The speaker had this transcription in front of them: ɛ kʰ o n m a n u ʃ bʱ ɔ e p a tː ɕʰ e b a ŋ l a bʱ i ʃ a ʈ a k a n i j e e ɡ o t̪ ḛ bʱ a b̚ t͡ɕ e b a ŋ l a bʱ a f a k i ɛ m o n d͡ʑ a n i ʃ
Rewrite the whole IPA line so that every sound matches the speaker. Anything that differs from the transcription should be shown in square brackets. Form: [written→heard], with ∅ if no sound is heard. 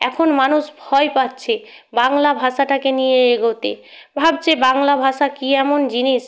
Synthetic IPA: ɛ kʰ o n m a n u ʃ bʱ ɔ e p a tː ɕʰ e b a ŋ l a bʱ [i→a] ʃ a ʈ a k [a→e] n i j e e ɡ o t̪ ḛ bʱ a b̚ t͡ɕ e b a ŋ l a bʱ a [f→ʃ] a k i ɛ m o n d͡ʑ [a→i] n i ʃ